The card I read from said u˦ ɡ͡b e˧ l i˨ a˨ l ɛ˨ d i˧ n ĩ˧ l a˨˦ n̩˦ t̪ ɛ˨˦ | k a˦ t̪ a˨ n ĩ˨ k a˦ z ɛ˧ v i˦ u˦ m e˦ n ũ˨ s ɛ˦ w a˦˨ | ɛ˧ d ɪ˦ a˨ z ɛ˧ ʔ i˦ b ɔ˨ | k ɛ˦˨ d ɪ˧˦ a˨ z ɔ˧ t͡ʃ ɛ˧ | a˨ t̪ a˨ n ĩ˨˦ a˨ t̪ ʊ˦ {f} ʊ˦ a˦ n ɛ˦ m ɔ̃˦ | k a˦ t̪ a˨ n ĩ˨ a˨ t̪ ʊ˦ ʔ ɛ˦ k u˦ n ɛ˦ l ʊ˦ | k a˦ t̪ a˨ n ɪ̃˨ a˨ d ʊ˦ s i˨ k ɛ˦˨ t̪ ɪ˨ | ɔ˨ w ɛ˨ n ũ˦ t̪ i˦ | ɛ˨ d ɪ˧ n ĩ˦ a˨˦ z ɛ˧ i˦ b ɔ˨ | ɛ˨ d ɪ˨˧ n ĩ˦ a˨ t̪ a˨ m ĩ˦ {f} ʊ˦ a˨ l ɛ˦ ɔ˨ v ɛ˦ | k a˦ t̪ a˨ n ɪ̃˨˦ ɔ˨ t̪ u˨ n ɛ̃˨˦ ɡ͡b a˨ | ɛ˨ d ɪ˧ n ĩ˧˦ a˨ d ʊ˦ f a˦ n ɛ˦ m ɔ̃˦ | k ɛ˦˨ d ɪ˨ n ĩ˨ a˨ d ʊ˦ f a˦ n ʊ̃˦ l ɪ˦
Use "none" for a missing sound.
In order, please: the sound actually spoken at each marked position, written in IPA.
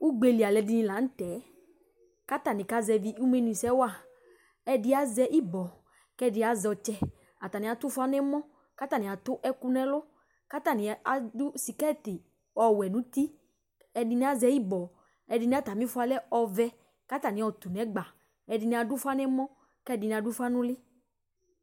f, f

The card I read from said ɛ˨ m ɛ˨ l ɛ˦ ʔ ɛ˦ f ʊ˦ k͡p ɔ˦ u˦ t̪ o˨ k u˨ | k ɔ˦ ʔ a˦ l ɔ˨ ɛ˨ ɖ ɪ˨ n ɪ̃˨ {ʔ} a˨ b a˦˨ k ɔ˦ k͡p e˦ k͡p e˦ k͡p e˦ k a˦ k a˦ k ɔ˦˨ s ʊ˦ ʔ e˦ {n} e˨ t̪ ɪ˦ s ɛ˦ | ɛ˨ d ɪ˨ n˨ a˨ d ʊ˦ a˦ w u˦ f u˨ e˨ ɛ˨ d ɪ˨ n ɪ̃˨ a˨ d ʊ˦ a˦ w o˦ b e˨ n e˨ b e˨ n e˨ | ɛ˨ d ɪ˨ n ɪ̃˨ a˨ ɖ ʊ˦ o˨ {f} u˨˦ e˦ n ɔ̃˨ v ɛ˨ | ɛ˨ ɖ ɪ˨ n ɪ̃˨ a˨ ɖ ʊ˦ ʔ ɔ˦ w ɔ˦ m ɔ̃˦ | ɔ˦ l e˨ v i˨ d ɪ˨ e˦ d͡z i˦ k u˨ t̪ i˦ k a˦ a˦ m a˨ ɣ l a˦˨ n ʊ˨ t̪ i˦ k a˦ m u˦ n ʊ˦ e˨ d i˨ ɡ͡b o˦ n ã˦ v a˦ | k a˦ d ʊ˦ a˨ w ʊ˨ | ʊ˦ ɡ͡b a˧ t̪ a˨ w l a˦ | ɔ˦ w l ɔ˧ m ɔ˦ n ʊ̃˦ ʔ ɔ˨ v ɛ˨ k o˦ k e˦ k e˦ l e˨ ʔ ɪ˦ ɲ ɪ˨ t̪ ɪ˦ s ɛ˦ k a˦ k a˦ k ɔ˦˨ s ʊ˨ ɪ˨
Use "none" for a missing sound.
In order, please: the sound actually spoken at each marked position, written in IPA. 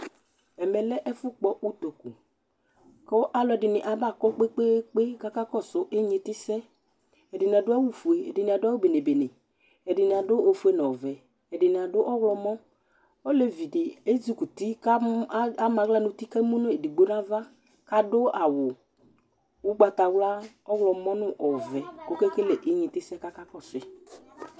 ʔ, ɲ, f

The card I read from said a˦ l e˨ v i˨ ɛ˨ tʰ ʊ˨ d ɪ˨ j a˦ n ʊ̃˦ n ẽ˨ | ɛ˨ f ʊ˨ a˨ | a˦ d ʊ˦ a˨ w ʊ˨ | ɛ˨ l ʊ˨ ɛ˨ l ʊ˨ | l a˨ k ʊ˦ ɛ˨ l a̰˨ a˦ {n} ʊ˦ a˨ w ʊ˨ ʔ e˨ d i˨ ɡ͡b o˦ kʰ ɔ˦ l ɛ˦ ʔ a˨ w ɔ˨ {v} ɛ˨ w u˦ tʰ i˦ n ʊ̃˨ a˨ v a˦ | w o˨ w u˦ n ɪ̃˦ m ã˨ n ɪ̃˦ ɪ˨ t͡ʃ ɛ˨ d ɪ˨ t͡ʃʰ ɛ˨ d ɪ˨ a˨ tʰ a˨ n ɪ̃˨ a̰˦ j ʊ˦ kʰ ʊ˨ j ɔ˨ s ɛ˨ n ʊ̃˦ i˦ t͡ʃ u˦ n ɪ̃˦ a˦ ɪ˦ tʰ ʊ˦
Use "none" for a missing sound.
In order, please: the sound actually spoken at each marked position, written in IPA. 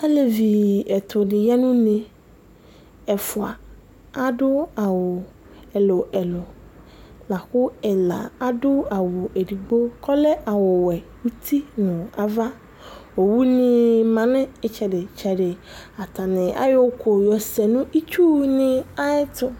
d, w

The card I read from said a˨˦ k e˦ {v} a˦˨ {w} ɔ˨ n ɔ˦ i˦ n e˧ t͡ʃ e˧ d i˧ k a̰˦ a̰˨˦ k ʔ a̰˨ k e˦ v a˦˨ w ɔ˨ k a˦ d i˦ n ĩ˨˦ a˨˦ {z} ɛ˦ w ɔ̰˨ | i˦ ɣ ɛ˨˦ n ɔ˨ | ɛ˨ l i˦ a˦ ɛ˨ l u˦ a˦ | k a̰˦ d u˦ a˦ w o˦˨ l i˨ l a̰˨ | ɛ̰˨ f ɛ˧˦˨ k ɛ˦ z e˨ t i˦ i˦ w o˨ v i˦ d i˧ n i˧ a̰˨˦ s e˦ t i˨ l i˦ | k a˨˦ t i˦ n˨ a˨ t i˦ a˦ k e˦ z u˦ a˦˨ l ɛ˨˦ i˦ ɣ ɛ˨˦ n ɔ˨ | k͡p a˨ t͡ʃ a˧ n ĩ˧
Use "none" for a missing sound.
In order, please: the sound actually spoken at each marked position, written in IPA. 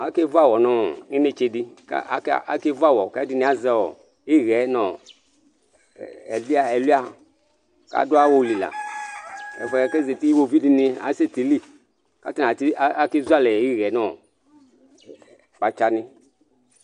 v, w, z

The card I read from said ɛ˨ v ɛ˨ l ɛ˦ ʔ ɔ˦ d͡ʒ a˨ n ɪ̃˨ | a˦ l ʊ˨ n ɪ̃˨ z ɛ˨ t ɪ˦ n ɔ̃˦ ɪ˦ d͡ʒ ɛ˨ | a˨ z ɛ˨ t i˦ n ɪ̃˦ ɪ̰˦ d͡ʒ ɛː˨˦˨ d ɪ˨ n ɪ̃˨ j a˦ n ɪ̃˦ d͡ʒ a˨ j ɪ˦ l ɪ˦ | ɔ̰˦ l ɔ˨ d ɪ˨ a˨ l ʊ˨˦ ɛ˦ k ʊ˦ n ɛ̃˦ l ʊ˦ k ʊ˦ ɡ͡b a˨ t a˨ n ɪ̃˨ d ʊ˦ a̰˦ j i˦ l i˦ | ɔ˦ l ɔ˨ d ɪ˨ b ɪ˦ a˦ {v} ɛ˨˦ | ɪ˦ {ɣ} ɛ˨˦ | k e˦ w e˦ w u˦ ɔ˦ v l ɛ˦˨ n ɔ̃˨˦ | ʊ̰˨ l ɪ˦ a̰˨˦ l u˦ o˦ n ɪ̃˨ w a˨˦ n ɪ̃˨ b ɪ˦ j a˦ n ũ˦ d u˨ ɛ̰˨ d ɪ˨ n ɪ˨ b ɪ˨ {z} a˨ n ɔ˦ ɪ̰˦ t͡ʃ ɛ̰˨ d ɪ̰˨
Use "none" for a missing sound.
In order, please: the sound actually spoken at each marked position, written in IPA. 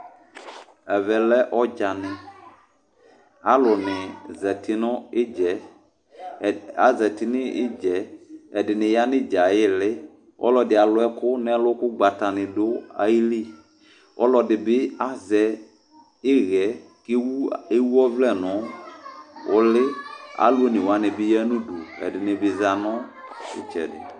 z, ɣ, z

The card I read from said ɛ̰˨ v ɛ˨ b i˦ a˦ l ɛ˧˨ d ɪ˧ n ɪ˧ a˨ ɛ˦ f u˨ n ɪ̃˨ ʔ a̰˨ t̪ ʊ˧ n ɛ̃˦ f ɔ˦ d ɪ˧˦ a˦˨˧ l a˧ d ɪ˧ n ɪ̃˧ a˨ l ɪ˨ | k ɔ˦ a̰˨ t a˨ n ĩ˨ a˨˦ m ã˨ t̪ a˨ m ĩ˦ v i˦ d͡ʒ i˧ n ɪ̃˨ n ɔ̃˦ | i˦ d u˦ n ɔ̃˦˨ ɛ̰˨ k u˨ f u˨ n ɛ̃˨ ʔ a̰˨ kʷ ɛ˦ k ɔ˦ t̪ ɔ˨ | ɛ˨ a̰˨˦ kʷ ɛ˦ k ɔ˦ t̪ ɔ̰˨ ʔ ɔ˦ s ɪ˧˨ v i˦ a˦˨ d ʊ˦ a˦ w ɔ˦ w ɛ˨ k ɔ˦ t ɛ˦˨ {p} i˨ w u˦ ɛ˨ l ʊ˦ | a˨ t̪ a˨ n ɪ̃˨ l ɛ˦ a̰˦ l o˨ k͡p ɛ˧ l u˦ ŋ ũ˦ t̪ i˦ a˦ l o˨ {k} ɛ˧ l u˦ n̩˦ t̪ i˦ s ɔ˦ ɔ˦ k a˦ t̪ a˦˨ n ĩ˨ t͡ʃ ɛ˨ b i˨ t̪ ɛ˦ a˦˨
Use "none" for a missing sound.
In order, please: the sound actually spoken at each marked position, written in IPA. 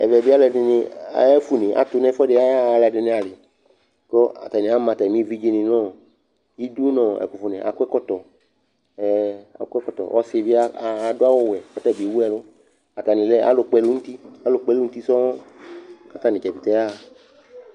b, k͡p

